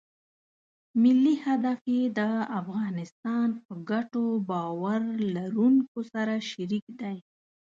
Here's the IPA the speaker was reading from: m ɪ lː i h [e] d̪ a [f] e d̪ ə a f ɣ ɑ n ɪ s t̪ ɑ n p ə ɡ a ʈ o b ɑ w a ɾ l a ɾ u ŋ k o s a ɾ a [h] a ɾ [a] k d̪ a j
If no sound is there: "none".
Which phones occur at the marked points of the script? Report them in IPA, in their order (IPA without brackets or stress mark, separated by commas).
a, f, ʃ, i